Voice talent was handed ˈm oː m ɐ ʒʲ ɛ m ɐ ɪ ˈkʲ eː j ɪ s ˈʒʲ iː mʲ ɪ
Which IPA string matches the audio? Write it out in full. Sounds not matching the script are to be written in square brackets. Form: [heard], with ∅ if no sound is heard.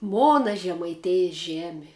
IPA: ˈm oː [n] ɐ ʒʲ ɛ m ɐ ɪ [ˈtʲ] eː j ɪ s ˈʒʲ [æː] mʲ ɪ